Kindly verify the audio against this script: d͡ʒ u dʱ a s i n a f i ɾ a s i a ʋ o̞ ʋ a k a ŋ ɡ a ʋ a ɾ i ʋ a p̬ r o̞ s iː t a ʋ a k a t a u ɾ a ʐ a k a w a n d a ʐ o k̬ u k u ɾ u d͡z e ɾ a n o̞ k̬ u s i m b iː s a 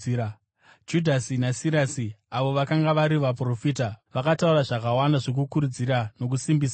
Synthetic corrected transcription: d͡ʒ u dʱ a s i n a s i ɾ a s i a ʋ o̞ ʋ a k a ŋ ɡ a ʋ a ɾ i ʋ a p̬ r o̞ f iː t a ʋ a k a t a u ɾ a ʐ a k a w a n d a ʐ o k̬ u k u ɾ u d͡z i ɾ a n o̞ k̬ u s i m b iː s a